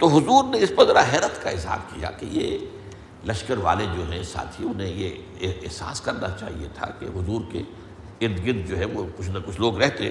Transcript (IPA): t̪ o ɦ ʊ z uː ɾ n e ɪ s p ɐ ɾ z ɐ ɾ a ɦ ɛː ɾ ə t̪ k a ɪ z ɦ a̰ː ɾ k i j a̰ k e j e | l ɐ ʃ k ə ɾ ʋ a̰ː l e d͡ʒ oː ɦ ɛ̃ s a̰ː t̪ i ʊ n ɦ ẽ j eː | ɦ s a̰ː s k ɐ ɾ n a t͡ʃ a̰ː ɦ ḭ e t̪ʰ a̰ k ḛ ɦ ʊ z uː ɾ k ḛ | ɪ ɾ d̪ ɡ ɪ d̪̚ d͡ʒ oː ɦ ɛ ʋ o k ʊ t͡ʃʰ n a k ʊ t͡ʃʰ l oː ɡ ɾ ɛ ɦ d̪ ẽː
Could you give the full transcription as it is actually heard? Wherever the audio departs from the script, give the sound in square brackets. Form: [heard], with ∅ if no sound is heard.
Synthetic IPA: t̪ o ɦ ʊ z uː ɾ n e ɪ s p ɐ ɾ z ɐ ɾ a ɦ ɛː ɾ ə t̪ k a ɪ z ɦ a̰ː ɾ k i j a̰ k e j e | l ɐ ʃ k ə ɾ ʋ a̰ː l e d͡ʒ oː ɦ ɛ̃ s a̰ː [t̪ʰ] i ʊ n ɦ ẽ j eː | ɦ s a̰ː s k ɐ ɾ n a t͡ʃ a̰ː ɦ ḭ e t̪ʰ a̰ k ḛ ɦ ʊ z uː ɾ k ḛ | ɪ ɾ d̪ ɡ ɪ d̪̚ d͡ʒ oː ɦ ɛ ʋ o k ʊ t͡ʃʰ n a k ʊ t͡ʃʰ l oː ɡ ɾ ɛ ɦ [t̪] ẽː